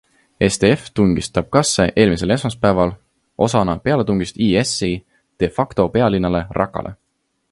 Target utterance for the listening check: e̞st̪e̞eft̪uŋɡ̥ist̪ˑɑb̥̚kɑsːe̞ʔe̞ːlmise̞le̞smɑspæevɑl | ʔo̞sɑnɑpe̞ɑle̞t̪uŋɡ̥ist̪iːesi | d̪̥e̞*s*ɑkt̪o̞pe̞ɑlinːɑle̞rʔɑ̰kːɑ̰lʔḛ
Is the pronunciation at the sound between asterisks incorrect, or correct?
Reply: incorrect